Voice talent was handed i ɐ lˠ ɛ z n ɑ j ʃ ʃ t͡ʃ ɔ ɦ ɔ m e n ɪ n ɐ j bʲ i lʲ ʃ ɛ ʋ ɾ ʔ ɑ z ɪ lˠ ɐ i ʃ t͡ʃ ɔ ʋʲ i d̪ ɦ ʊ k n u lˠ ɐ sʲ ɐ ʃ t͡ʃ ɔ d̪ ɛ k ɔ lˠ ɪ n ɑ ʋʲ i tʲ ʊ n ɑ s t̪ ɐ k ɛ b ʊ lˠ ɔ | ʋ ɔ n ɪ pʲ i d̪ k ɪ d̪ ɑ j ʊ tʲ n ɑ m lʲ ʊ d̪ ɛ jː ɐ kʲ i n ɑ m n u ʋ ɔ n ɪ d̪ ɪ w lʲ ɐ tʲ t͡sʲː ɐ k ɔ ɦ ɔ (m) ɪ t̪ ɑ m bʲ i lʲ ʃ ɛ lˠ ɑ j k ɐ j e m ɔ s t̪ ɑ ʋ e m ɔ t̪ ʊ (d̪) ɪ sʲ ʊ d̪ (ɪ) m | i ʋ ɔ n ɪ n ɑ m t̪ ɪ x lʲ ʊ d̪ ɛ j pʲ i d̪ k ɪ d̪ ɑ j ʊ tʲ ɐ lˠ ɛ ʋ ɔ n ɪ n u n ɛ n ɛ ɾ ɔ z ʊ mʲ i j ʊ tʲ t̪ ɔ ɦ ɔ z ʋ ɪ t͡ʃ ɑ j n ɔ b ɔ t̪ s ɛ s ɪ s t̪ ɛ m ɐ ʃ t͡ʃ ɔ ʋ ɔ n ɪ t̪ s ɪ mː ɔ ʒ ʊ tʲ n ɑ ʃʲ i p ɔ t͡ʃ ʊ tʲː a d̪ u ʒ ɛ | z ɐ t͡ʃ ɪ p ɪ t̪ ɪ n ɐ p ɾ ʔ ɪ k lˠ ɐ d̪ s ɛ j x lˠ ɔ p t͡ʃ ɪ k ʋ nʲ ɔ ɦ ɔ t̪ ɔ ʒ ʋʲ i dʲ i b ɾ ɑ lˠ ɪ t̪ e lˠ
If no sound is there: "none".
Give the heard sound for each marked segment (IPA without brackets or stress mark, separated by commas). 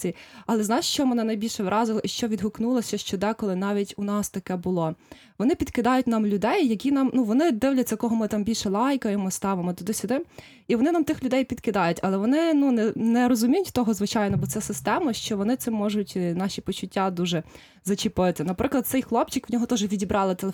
m, d̪, ɪ